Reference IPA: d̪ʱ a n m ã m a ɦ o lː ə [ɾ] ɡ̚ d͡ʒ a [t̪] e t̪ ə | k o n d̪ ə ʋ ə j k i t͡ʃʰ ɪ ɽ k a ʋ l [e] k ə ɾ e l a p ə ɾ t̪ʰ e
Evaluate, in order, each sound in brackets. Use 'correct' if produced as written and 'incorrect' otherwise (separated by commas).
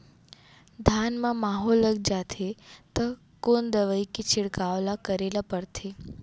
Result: incorrect, incorrect, incorrect